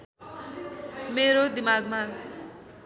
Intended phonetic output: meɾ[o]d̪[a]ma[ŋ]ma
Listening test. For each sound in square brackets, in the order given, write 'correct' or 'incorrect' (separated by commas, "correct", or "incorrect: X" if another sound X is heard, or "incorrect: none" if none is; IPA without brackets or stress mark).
correct, incorrect: i, incorrect: ɡ